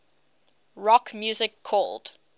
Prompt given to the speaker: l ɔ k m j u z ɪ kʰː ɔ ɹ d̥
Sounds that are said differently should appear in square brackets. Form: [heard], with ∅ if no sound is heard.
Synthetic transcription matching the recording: [ɹ] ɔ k m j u z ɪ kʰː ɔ [l] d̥